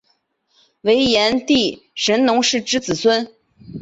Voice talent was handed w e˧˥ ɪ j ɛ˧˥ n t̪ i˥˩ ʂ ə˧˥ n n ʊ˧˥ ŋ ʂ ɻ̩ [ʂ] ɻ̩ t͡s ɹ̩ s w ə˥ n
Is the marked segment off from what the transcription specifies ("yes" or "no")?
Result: yes